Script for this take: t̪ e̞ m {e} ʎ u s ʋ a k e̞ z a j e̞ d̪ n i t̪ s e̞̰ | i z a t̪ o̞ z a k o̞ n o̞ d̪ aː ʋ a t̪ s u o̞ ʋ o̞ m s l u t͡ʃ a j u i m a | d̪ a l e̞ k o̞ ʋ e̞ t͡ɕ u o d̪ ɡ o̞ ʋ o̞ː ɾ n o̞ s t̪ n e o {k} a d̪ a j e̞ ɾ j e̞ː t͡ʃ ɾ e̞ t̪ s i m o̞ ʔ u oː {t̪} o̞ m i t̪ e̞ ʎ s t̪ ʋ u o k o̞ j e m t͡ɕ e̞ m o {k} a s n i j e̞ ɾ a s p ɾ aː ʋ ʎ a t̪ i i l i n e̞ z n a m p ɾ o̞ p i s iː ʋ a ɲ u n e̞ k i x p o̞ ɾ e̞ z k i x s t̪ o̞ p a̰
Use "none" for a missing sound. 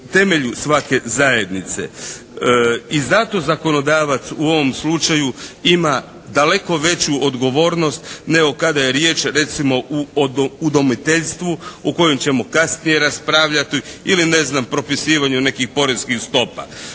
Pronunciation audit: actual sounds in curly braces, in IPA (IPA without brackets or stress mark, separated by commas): e, k, d̪, k